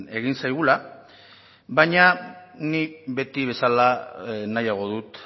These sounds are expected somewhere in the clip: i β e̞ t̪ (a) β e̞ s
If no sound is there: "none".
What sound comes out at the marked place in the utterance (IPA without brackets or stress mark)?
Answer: i